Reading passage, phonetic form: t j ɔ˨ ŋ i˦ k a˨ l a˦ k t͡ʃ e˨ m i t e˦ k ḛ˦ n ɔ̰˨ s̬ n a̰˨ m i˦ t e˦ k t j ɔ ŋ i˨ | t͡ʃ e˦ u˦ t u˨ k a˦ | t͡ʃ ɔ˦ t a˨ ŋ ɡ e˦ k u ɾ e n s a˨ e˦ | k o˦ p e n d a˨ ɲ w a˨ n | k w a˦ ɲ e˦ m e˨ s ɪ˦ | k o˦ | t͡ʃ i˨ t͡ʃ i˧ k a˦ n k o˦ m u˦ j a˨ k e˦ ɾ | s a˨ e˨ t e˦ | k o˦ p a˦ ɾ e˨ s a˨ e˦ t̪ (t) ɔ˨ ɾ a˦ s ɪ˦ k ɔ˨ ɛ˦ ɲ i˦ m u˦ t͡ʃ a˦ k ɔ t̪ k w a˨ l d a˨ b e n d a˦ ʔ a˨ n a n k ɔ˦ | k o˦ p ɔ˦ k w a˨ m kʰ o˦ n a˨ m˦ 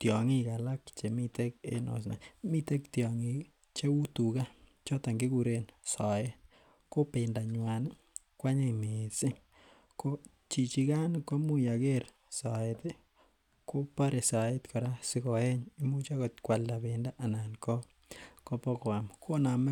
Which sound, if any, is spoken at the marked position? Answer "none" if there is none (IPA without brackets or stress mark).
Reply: k